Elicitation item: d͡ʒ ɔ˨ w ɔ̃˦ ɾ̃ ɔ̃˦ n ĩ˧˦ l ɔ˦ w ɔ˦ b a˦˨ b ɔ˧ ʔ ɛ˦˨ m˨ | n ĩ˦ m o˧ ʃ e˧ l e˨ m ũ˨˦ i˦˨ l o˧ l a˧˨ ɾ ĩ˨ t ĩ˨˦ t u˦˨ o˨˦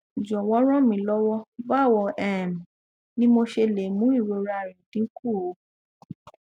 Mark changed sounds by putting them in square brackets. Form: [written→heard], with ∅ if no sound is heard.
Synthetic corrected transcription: d͡ʒ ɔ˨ w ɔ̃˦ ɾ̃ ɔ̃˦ [n→m] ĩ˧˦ l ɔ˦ w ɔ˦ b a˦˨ [b→w] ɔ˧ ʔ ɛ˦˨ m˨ | n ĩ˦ m o˧ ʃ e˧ l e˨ m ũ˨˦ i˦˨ [l→ɾ] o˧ [l→ɾ] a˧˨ ɾ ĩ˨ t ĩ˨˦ [t→k] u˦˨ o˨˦